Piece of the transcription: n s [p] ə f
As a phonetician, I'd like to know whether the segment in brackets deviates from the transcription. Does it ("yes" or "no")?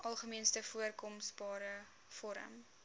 yes